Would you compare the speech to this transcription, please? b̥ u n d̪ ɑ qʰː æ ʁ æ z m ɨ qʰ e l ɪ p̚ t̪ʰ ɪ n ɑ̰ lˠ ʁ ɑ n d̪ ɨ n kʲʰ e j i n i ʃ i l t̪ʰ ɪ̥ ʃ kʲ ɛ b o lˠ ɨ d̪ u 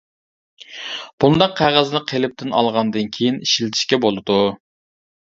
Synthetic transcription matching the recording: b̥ u n d̪ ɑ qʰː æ ʁ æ z n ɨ qʰ e l ɪ p̚ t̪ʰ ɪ n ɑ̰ lˠ ʁ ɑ n d̪ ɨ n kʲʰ e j i n i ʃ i l t̪ʰ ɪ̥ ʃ kʲ ɛ b o lˠ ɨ d̪ u